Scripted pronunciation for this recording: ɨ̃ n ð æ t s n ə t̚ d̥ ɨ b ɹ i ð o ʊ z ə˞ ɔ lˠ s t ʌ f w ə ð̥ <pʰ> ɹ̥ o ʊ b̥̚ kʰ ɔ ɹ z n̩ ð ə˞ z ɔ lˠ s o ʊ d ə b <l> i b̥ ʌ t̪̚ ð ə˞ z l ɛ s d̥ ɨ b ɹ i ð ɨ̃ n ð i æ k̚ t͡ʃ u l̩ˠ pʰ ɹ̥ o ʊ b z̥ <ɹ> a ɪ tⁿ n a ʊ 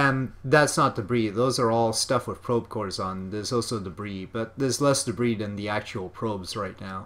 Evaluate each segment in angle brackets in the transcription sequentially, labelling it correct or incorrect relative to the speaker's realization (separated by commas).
correct, incorrect, correct